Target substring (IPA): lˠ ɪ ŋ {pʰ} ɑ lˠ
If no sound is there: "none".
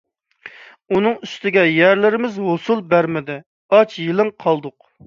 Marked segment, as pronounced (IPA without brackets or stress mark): qʰ